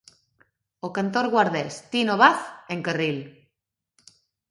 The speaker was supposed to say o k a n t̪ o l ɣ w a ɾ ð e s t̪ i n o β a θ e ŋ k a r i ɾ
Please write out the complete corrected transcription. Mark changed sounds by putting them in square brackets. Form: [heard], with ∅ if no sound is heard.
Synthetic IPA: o k a n t̪ o [ɾ] ɣ w a ɾ ð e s t̪ i n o β a θ e ŋ k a r i [l]